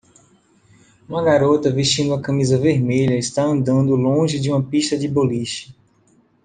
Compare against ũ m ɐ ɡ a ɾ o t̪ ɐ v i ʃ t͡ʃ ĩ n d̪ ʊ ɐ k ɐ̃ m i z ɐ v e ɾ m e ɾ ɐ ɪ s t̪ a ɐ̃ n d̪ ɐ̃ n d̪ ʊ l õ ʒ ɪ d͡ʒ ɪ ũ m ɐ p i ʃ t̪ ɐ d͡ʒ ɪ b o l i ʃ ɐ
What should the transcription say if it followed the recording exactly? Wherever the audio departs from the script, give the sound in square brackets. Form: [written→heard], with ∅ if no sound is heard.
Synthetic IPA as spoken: ũ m ɐ ɡ a ɾ o t̪ ɐ v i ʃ t͡ʃ ĩ n d̪ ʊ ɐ k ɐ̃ m i z ɐ v e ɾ m e [ɾ→ʎ] ɐ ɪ s t̪ a ɐ̃ n d̪ ɐ̃ n d̪ ʊ l õ ʒ ɪ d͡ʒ ɪ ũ m ɐ p i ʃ t̪ ɐ d͡ʒ ɪ b o l i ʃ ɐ